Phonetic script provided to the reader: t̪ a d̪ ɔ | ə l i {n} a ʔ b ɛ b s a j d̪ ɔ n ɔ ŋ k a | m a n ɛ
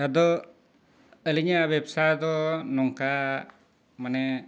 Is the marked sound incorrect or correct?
incorrect